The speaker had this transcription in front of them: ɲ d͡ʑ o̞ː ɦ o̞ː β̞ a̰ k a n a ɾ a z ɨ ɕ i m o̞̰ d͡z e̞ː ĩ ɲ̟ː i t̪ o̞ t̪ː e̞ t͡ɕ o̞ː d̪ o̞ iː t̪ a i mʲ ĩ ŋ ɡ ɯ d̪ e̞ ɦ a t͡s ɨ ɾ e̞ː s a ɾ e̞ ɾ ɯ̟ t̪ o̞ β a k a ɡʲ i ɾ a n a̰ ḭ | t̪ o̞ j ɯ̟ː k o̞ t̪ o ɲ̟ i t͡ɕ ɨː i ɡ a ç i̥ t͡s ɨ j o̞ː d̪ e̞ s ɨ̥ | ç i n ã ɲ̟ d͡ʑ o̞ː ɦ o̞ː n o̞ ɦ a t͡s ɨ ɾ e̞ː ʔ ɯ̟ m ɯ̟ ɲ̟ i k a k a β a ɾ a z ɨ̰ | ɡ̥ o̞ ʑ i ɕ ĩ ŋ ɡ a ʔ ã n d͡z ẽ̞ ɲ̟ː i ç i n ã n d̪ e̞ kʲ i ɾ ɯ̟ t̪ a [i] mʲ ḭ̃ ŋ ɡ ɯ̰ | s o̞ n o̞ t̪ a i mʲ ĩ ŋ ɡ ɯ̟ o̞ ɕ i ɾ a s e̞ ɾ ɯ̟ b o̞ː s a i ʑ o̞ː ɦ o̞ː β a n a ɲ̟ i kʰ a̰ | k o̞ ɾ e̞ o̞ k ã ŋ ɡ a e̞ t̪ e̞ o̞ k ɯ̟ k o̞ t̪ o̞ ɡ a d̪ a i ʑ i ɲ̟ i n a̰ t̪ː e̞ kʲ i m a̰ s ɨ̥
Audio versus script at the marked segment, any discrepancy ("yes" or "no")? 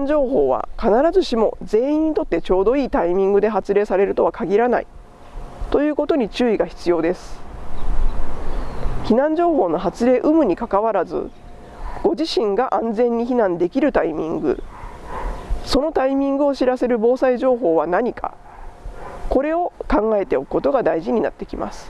no